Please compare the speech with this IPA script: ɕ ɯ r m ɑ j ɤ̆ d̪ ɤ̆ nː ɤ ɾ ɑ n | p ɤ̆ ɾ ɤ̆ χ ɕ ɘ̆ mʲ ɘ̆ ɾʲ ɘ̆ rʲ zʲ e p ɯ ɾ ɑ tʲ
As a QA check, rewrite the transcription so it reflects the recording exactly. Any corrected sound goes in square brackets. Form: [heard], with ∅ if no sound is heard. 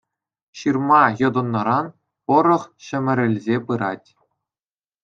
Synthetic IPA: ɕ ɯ r m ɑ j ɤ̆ d̪ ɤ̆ nː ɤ ɾ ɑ n | p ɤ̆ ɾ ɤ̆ χ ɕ ɘ̆ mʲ ɘ̆ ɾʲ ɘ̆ [lʲ] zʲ e p ɯ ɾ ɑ tʲ